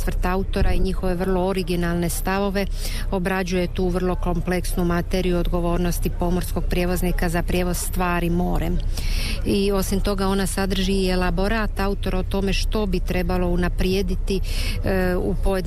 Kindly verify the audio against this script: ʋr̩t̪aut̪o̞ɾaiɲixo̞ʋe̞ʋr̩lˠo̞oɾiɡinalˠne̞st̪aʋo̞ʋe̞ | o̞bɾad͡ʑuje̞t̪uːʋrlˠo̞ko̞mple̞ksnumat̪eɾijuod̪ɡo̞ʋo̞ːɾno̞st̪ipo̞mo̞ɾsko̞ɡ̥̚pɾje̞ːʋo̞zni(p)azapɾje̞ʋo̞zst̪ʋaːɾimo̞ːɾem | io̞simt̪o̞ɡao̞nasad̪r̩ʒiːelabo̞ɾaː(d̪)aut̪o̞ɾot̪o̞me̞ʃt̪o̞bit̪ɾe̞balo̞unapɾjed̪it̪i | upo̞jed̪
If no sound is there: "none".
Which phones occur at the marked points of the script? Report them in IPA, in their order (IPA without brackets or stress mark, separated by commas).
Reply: k, t̪